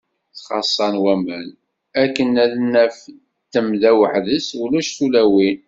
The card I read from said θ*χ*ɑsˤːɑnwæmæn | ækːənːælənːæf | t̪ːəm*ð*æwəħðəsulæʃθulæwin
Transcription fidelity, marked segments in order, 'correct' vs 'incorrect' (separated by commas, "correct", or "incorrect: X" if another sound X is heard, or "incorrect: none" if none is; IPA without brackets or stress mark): correct, correct